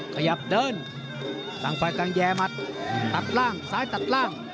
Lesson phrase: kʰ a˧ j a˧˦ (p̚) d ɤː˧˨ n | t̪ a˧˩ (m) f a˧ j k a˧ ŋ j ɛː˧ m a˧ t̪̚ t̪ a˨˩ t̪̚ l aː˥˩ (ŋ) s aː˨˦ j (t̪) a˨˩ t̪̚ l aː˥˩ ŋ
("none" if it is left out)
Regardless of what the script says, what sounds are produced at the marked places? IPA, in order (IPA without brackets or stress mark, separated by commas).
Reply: p̚, ŋ, ŋ, t̪